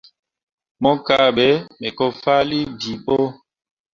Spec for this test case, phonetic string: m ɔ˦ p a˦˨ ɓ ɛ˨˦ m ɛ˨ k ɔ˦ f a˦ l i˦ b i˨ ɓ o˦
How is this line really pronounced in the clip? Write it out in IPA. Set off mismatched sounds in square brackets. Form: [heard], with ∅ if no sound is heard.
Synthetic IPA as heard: m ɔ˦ [k] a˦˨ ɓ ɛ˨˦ m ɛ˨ k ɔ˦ f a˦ l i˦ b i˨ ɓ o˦